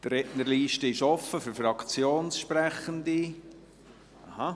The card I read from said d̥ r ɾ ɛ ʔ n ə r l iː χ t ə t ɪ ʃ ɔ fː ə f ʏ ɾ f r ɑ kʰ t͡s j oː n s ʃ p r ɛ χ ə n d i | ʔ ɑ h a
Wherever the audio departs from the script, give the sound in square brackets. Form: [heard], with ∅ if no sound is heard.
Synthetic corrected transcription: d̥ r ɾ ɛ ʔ n ə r l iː [ʃ] t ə [∅] ɪ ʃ ɔ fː ə f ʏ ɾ f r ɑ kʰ t͡s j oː n s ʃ p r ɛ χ ə n d i | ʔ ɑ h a

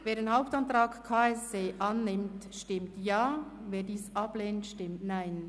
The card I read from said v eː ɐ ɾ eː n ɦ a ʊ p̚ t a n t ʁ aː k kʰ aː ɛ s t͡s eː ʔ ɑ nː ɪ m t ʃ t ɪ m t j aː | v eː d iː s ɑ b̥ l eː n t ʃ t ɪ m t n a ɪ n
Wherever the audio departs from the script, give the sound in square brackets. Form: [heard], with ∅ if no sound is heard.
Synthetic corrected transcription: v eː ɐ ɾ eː n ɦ a ʊ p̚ t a n t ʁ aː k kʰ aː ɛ s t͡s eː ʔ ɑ nː ɪ m t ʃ t ɪ m t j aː | v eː d iː s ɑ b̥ l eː n t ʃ t ɪ m t n a ɪ n

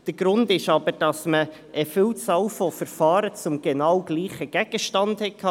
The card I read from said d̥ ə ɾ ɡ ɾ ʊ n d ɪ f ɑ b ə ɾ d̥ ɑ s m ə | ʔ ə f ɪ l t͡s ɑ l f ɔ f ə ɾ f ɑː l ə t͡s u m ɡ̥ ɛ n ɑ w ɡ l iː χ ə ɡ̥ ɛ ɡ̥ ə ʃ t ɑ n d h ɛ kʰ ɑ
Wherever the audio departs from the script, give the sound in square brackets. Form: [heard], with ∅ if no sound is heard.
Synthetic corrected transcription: d̥ ə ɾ ɡ ɾ ʊ n d ɪ [ʃ] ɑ b ə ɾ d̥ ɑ s m ə | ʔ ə f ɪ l t͡s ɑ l f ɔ f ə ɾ f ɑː [ɾ] ə t͡s [ʊ] m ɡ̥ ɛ n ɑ w ɡ l iː χ ə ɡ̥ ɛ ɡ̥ ə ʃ t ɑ n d h ɛ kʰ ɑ

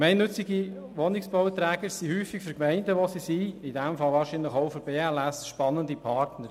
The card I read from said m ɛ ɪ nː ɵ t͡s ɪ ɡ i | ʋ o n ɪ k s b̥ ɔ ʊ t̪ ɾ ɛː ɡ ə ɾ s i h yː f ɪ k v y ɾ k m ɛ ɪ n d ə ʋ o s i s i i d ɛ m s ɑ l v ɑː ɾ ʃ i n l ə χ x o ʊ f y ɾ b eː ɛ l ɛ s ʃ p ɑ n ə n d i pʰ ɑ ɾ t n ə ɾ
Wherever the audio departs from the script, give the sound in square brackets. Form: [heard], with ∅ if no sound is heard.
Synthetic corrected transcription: m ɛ ɪ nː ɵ t͡s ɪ ɡ i | ʋ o n ɪ k s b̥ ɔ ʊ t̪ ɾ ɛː ɡ ə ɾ s i h yː f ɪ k [f] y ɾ k m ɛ ɪ n d ə ʋ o s i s i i d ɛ m [f] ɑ l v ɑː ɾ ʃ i n l ə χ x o ʊ f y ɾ b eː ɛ l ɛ s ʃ p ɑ n ə n d i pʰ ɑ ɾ t n ə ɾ

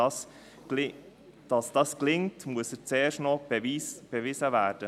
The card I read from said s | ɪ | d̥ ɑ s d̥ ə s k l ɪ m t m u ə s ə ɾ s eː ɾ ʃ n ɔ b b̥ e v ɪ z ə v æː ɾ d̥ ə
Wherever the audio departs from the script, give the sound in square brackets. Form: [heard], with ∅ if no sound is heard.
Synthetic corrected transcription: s | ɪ | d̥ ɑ s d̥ [ɑ] s k l ɪ [ŋ] t m u ə s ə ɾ [t͡s] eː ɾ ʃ n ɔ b b̥ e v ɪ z ə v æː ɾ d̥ ə

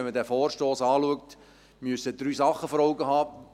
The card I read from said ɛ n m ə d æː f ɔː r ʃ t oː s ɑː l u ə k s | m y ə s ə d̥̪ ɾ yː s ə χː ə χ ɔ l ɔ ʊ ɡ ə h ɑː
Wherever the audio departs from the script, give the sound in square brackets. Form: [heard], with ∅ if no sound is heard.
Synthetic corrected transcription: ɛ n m ə d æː f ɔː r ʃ t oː s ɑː l u ə k [t] | m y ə s ə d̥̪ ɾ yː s [ɑ] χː ə [f] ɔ [ɾ] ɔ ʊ ɡ ə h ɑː

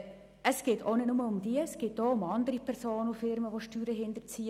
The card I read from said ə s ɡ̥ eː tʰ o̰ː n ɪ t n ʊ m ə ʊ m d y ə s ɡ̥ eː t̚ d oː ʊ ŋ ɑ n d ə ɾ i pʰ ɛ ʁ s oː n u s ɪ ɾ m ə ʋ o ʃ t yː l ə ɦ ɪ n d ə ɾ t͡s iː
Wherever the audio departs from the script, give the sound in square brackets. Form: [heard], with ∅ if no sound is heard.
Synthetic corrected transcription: ə s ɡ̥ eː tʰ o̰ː n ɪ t n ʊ m ə ʊ m d [i] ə s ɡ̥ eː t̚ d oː ʊ [m] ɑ n d ə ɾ i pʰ ɛ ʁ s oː n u [f] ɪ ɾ m ə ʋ o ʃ t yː [ɾ] ə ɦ ɪ n d ə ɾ t͡s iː

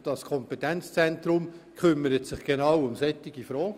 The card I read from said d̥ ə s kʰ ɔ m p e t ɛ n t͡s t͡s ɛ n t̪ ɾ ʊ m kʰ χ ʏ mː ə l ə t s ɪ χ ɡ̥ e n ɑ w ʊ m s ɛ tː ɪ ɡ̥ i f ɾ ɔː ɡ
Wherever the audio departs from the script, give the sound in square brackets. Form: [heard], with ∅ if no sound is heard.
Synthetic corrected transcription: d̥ [ɑ] s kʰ ɔ m p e t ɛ n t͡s t͡s ɛ n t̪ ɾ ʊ m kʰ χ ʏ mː ə [ɾ] ə t s ɪ χ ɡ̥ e n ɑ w ʊ m s ɛ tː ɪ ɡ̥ i f ɾ ɔː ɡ

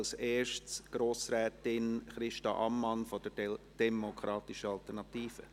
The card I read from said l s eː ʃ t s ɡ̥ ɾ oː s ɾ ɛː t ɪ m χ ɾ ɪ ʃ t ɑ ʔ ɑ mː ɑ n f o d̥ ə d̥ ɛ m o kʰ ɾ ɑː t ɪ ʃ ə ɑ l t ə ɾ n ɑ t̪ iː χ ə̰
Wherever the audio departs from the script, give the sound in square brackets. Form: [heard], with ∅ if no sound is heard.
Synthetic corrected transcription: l s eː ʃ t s ɡ̥ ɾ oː s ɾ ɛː t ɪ [n] χ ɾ ɪ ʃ t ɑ ʔ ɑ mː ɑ n f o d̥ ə d̥ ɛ m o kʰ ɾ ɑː t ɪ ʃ ə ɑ l t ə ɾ n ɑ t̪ iː [f] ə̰

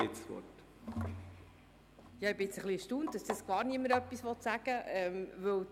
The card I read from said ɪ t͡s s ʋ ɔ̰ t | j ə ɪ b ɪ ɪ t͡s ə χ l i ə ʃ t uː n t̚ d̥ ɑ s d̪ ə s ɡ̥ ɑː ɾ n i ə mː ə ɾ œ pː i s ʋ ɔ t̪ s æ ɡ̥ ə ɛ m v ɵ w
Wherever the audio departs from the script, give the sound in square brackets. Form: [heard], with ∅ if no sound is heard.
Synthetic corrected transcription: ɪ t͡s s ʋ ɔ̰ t | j [ɑ] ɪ b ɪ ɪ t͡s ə χ l i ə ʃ t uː n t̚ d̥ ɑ s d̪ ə s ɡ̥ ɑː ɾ n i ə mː ə ɾ œ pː i s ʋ ɔ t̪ s æ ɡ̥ ə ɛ m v ɵ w

